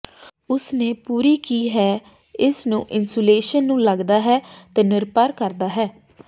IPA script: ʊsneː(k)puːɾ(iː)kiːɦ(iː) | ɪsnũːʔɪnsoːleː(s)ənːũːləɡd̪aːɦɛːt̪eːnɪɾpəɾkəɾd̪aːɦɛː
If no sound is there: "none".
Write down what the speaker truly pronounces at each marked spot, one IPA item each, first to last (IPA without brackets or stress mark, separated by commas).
none, iː, ɛː, ʃ